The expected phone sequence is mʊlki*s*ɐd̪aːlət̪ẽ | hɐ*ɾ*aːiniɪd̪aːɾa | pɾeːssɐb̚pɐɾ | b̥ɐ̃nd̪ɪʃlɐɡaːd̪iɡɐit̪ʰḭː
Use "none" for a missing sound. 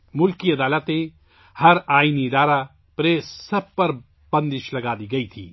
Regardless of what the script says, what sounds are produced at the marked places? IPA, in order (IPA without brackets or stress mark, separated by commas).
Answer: none, ɾ